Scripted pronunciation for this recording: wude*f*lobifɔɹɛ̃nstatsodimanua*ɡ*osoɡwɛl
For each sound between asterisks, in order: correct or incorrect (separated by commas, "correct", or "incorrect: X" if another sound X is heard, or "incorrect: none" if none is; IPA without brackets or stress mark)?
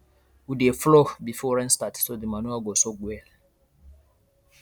correct, correct